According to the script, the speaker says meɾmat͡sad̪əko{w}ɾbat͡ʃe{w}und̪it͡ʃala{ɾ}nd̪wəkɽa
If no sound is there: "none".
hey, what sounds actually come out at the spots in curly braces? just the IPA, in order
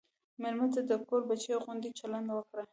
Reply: none, ɣ, none

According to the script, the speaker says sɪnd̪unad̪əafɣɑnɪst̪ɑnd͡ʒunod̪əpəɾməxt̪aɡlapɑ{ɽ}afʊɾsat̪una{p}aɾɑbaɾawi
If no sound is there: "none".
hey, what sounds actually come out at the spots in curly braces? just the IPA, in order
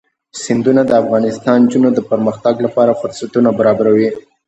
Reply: ɾ, b

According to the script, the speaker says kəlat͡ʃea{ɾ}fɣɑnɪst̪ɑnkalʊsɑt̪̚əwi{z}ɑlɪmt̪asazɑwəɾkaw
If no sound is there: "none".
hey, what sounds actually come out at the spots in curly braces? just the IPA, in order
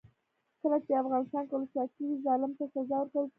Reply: none, z

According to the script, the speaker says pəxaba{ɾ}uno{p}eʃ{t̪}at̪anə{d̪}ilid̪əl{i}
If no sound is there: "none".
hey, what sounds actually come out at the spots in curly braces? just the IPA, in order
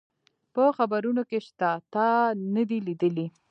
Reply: ɾ, k, t̪, d̪, i

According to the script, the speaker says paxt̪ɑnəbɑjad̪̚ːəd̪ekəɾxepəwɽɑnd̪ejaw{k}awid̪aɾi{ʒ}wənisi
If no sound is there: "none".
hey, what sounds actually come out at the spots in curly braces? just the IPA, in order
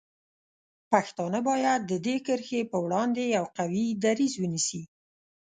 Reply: q, z

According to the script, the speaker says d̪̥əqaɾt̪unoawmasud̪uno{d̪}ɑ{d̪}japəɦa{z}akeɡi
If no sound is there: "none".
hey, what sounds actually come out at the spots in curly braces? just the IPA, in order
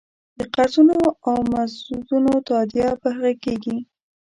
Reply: t̪, d̪, ɣ

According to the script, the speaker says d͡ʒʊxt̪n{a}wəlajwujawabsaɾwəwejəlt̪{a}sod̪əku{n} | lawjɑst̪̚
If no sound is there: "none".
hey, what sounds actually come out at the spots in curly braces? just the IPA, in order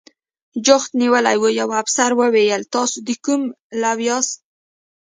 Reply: i, ɑ, m

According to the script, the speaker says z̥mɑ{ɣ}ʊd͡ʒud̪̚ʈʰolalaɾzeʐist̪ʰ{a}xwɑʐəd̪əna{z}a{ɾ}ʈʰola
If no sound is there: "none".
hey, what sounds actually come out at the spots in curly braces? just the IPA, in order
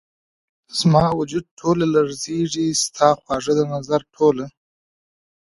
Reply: w, ɑ, z, ɾ

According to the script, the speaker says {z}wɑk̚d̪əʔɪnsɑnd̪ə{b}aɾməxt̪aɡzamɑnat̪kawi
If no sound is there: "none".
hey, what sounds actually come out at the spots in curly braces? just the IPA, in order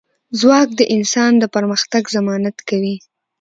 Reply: z, p

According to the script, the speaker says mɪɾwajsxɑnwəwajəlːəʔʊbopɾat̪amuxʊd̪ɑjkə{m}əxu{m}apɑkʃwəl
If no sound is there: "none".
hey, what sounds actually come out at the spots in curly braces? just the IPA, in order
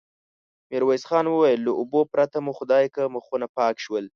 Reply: m, n

